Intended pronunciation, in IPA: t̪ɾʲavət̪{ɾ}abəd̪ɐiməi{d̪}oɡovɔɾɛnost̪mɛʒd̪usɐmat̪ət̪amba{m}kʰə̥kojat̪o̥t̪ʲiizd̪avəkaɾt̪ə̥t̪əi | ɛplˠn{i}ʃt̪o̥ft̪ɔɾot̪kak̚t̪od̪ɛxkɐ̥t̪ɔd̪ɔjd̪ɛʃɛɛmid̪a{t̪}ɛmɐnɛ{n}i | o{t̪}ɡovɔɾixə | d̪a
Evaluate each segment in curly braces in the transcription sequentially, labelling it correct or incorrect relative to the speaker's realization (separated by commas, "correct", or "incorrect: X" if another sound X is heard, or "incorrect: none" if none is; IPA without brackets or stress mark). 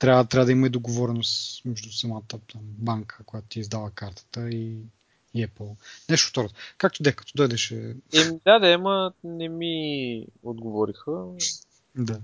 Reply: correct, correct, incorrect: ŋ, incorrect: ɛ, incorrect: d̪, incorrect: m, incorrect: d̪